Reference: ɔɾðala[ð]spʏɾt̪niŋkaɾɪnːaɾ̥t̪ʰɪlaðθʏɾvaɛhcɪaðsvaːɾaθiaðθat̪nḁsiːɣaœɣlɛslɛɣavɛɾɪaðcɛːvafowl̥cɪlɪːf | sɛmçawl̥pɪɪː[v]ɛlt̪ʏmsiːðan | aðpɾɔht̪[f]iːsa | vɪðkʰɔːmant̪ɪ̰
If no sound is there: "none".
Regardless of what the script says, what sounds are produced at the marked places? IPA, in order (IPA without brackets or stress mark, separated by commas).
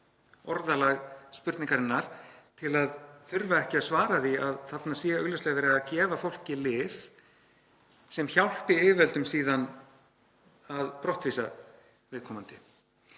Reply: ɣ, v, v